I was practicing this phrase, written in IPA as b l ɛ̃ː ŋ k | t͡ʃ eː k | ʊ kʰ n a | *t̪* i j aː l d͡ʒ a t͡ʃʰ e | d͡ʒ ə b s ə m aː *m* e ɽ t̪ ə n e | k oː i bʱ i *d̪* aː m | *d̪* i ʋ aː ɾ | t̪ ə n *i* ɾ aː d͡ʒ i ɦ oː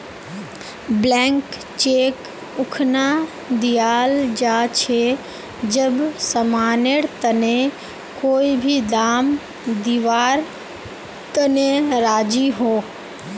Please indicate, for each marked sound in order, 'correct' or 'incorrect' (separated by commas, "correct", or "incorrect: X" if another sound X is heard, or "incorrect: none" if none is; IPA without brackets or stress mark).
incorrect: d̪, incorrect: n, correct, correct, incorrect: e